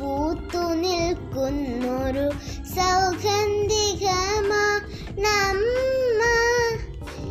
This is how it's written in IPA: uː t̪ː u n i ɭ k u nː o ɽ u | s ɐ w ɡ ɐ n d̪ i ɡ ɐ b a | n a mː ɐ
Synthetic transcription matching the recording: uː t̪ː u n i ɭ k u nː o ɾ u | s ɐ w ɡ ɐ n d̪ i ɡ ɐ m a | n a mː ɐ